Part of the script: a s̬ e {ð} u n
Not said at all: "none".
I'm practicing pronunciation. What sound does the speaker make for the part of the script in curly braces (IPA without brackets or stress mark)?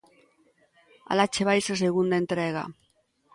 ɣ